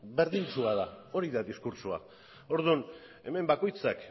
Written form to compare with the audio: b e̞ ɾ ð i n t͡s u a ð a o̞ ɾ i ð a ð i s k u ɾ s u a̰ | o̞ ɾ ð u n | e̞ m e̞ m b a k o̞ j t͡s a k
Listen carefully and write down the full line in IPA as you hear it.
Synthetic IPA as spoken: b e̞ ɾ ð i n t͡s u a ð a o̞ ɾ i ð a ð i s k u ɾ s u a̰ | o̞ ɾ ð u n | e̞ m e̞ m b a k o̞ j t͡s a k